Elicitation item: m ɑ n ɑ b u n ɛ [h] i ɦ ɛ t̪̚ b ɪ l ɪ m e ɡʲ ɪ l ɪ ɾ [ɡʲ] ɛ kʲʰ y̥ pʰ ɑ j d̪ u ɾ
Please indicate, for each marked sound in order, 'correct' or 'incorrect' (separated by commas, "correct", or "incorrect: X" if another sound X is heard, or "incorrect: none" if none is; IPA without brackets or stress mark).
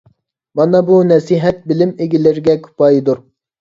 incorrect: s, correct